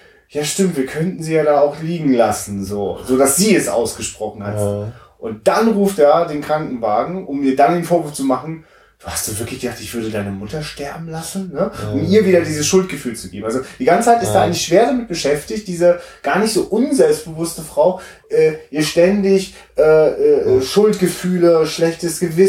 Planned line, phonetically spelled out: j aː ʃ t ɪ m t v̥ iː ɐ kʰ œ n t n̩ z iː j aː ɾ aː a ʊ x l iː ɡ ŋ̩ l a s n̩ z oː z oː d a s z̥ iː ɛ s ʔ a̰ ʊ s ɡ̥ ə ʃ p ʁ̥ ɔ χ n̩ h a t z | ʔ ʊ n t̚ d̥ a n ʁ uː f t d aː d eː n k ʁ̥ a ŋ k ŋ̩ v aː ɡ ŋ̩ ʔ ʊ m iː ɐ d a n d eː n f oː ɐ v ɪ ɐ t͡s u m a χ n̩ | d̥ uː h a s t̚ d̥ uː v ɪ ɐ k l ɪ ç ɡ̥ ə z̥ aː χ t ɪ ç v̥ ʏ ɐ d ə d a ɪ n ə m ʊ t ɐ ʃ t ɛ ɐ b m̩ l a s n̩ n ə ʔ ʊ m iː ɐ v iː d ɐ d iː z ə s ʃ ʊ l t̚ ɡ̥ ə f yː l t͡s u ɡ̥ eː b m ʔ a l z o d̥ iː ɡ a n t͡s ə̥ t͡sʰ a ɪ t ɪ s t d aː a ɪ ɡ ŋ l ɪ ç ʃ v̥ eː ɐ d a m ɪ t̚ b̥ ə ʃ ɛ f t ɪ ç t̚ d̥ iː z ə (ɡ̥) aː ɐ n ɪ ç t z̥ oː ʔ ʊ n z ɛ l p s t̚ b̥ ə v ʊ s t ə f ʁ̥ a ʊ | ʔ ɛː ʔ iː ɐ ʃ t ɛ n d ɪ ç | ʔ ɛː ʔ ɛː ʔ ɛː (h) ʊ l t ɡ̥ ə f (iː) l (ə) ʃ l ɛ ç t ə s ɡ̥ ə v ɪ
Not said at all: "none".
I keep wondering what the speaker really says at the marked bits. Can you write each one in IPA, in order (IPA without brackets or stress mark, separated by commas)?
ɡ̥, ʃ, yː, ə